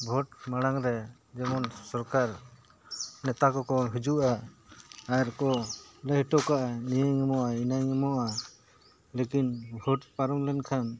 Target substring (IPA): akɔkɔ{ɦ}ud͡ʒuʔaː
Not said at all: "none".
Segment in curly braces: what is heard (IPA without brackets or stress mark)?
ɦ